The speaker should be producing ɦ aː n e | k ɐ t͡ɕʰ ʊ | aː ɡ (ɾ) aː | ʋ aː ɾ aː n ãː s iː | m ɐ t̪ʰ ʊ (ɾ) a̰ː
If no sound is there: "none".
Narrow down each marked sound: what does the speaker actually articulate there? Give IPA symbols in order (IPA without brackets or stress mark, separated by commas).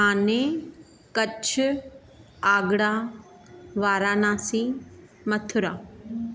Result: ɽ, ɾ